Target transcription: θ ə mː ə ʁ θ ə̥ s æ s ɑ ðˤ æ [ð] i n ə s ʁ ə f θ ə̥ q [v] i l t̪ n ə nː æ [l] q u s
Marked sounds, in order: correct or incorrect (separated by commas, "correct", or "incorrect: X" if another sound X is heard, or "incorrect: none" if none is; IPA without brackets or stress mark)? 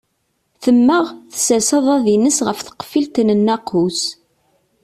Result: correct, incorrect: f, incorrect: none